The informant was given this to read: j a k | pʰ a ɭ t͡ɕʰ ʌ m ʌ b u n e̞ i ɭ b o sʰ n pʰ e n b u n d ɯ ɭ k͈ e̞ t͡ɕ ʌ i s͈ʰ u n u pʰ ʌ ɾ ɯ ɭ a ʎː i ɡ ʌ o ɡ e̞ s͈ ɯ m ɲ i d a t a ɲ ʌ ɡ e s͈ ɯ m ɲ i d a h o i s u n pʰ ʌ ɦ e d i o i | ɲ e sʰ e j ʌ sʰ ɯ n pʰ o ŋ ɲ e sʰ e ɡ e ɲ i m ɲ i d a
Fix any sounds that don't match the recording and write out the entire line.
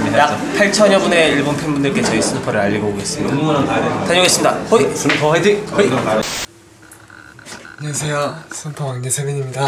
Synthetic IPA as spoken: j a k | pʰ a ɭ t͡ɕʰ ʌ ɲ ʌ b u n e̞ i ɭ b o n pʰ e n b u n d ɯ ɭ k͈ e̞ t͡ɕ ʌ i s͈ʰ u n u pʰ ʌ ɾ ɯ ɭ a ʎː i ɡ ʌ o ɡ e̞ s͈ ɯ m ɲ i d a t a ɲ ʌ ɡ e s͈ ɯ m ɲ i d a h o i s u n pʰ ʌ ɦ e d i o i | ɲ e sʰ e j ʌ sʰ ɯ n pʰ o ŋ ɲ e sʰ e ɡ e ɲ i m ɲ i d a